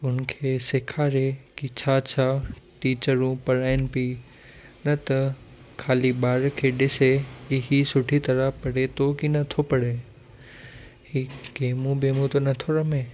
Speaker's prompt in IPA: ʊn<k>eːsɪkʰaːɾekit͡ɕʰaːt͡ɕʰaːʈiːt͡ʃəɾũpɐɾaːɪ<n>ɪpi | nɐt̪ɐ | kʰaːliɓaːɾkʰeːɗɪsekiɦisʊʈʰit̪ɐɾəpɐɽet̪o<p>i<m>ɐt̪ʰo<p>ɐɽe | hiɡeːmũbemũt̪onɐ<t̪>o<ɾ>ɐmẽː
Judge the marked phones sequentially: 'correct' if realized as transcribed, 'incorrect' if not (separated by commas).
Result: incorrect, correct, incorrect, incorrect, correct, incorrect, correct